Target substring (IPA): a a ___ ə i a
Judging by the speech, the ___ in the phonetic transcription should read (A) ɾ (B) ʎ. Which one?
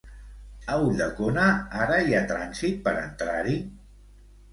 A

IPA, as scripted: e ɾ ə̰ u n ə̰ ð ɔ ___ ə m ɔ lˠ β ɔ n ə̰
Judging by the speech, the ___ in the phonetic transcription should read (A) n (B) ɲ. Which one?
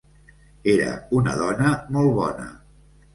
A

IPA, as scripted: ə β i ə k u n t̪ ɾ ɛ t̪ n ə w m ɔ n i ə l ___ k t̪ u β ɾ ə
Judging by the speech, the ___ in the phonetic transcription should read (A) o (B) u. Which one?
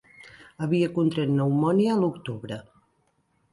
B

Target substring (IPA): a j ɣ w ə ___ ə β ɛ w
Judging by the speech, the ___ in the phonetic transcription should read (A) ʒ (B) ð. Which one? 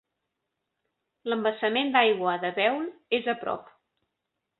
B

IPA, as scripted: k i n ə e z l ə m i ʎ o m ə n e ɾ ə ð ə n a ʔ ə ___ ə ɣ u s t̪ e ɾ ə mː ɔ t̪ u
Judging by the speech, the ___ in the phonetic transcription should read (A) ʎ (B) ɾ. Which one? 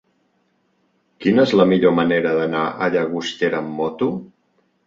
A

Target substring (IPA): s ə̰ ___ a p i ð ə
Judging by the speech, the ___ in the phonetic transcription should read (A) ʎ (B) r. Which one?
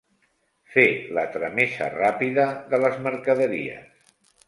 B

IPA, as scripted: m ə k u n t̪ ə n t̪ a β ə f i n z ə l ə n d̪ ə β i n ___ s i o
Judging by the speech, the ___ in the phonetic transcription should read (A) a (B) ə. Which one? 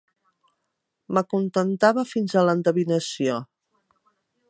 B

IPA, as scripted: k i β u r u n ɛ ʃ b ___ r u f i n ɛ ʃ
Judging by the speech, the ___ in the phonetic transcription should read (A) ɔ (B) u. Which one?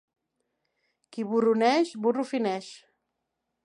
B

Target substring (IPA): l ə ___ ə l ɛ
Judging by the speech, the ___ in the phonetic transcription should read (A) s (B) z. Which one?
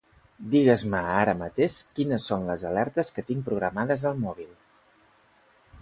B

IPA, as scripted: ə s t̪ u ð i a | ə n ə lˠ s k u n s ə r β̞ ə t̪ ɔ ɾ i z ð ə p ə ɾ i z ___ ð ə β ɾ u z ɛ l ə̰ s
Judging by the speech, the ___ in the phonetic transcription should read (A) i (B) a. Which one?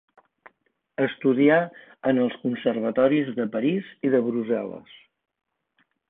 A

